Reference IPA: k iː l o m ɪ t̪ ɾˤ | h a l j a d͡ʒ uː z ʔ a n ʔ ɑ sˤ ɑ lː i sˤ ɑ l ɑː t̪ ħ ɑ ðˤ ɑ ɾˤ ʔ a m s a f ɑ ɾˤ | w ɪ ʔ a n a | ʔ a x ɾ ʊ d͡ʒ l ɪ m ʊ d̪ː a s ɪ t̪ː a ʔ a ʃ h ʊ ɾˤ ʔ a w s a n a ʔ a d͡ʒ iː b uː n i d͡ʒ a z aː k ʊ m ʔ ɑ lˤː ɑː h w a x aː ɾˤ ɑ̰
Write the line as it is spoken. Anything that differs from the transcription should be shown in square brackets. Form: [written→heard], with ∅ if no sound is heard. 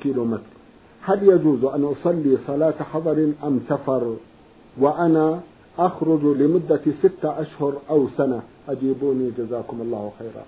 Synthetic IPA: k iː l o m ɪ t̪ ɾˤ | h a l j a d͡ʒ uː z ʔ a n ʔ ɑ sˤ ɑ lː i sˤ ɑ l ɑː t̪ ħ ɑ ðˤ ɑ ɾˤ ʔ a m s a f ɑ ɾˤ | w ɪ ʔ a n a | ʔ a x ɾ ʊ d͡ʒ l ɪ m ʊ d̪ː a s ɪ t̪ː a ʔ a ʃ h ʊ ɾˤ ʔ a w s a n a ʔ a d͡ʒ iː b uː n i d͡ʒ a z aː k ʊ m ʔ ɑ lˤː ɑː h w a x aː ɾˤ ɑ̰